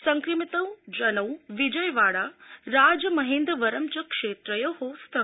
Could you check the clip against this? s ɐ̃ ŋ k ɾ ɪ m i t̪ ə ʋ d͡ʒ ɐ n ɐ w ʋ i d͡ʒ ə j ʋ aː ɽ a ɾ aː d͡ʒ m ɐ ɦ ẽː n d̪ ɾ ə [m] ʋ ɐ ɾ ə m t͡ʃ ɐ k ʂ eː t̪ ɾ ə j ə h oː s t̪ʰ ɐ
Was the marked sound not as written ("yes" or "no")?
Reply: yes